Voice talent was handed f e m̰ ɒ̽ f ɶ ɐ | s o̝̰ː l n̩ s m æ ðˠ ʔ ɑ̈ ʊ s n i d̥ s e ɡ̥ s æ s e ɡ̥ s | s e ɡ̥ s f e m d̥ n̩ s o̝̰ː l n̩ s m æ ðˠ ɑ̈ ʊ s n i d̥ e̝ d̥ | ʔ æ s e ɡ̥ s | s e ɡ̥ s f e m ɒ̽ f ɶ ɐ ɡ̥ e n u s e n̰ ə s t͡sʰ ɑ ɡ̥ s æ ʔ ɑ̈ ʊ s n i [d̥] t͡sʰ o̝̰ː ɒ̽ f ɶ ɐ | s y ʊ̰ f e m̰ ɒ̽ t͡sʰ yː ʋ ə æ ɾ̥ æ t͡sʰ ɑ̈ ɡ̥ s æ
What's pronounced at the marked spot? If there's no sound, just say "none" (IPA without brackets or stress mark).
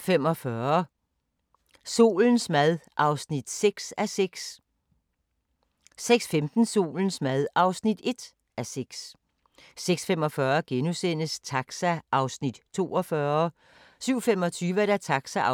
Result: d̥